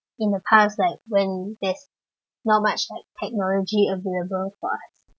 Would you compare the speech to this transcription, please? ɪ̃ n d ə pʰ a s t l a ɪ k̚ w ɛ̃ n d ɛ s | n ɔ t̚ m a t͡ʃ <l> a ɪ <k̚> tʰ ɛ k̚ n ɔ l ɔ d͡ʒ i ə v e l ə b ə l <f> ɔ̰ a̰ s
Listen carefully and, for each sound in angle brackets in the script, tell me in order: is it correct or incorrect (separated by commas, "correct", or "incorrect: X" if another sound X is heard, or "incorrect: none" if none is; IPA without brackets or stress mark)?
correct, correct, correct